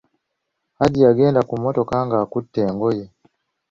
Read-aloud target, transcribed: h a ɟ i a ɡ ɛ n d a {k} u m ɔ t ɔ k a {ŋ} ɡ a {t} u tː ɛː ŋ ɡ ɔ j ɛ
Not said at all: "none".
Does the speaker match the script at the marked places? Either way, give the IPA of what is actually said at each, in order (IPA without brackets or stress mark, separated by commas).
k, ŋ, k